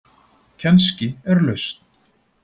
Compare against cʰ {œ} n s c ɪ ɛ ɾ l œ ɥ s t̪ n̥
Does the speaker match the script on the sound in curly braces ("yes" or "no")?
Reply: no